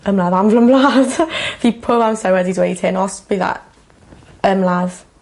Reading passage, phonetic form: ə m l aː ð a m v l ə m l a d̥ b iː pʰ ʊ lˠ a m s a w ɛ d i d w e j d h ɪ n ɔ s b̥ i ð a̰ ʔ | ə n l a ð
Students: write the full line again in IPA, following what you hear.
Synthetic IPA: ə m l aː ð a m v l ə m l a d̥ v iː pʰ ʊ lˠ a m s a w ɛ d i d w e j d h ɪ n ɔ s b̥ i ð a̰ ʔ | ə m l a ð